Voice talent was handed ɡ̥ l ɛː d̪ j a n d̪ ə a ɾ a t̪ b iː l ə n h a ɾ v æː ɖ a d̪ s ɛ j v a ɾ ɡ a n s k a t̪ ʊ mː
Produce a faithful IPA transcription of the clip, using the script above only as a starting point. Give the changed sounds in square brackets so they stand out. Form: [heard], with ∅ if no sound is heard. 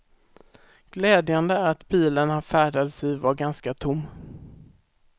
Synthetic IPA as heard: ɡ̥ l ɛː d̪ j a n d̪ ə [æ] ɾ a t̪ b iː l ə n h a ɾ [f] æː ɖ a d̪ s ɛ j v a ɾ ɡ a n s k a [t̪ʰ] ʊ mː

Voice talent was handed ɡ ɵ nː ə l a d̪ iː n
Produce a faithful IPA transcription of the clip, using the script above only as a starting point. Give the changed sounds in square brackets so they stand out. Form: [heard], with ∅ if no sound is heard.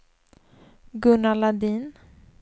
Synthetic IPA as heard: ɡ ɵ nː [a] l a d̪ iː n

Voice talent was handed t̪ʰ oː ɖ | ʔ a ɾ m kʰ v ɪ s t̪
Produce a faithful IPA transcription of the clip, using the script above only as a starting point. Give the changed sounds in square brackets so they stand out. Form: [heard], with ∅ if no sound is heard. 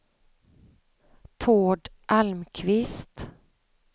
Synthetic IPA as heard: t̪ʰ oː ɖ | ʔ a [l] m kʰ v ɪ s t̪

